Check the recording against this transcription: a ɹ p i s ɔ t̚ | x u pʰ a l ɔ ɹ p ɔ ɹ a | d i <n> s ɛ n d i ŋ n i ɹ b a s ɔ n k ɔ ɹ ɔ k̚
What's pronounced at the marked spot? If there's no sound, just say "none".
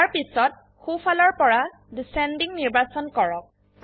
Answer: none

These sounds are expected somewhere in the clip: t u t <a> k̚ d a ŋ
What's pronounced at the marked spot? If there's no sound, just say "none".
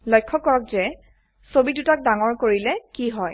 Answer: a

